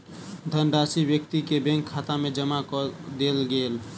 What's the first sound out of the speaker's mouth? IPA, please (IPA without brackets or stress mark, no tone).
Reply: d̪ʱ